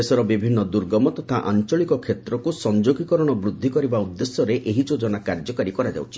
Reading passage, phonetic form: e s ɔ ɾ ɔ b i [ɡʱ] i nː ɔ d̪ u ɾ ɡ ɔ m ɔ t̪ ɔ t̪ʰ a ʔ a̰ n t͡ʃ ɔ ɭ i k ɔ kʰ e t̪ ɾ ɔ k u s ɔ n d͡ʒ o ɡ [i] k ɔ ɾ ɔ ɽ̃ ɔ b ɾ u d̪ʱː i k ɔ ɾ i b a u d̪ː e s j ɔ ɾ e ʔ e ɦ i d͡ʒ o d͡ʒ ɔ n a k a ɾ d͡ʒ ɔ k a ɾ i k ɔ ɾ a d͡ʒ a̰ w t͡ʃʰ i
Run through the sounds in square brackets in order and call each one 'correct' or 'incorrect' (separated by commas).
incorrect, correct